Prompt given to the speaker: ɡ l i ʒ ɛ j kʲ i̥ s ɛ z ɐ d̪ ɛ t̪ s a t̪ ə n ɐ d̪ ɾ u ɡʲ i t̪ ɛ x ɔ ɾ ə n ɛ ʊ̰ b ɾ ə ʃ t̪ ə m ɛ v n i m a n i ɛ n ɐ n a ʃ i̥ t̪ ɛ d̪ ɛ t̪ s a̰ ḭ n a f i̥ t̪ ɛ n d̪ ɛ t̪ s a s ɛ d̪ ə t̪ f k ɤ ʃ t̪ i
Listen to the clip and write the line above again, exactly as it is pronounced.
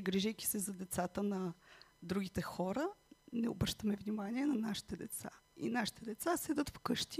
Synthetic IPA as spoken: ɡ ɾ i ʒ ɛ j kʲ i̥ s ɛ z ɐ d̪ ɛ t̪ s a t̪ ə n ɐ d̪ ɾ u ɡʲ i t̪ ɛ x ɔ ɾ ə n ɛ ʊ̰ b ɾ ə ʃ t̪ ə m ɛ v n i m a n i ɛ n ɐ n a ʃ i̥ t̪ ɛ d̪ ɛ t̪ s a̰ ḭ n a ʃ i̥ t̪ ɛ d̪ ɛ t̪ s a s ɛ d̪ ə t̪ f k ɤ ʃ t̪ i